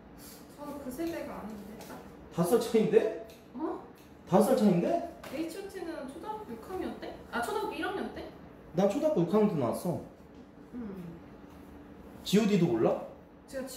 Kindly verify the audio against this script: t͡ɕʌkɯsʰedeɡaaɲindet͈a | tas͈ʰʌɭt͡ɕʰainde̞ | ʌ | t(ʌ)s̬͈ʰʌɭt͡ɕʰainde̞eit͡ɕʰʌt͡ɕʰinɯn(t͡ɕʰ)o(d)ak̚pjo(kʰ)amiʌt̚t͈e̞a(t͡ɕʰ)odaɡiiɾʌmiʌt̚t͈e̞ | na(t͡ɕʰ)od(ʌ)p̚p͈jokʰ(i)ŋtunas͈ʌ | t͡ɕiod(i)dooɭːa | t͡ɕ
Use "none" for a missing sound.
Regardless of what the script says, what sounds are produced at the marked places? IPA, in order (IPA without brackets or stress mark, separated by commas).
a, t͡ɕʰ, d, kʰ, t͡ɕʰ, t͡ɕʰ, a, a, i